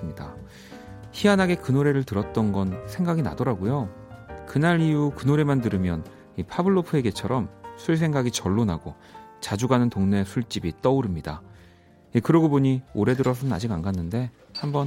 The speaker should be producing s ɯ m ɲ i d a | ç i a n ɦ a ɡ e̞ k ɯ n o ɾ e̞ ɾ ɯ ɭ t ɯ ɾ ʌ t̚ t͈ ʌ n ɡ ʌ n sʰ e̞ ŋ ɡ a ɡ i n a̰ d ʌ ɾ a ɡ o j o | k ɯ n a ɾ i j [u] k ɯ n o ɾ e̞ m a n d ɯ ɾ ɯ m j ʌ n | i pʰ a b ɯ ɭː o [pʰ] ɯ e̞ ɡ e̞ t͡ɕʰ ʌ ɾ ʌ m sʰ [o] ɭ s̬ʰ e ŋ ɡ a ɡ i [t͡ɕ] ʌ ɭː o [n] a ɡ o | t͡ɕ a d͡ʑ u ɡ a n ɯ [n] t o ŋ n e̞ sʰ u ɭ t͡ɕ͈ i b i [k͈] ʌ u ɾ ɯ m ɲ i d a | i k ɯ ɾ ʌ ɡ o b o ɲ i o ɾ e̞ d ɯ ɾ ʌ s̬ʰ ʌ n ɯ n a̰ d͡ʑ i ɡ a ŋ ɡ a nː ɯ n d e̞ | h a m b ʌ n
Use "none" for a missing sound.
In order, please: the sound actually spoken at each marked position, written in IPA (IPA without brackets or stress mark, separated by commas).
u, pʰ, u, t͡ɕ, n, n, t͈